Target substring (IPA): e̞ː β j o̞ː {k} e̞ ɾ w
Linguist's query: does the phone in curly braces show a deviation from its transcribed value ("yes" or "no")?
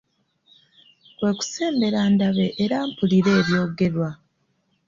yes